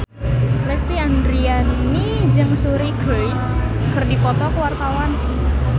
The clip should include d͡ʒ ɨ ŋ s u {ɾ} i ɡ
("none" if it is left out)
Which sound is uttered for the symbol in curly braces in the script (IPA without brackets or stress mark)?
ɾ